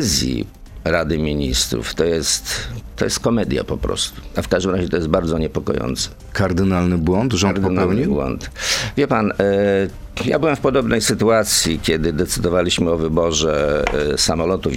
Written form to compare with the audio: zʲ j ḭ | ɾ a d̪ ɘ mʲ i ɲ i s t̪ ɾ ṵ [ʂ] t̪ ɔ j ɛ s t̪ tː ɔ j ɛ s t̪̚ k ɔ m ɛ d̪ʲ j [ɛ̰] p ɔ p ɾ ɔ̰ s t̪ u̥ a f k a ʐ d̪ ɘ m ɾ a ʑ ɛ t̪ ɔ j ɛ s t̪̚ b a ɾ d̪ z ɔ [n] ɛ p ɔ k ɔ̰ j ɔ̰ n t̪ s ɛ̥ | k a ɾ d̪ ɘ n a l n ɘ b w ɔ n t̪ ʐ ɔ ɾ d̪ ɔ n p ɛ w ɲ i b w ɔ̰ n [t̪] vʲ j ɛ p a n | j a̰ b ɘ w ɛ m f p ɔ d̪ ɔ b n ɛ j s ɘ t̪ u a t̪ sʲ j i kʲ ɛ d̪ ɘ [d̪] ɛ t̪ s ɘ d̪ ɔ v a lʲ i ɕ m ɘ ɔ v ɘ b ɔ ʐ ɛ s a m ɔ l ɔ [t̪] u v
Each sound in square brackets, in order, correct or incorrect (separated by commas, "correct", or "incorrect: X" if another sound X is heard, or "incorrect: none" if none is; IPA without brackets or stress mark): incorrect: f, incorrect: a̰, incorrect: ɲ, correct, correct, correct